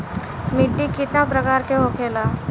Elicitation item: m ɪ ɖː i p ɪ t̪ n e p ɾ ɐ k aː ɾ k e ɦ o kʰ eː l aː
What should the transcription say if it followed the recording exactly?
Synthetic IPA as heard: m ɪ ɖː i k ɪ t̪ n a p ɾ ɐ k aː ɾ k e ɦ o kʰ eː l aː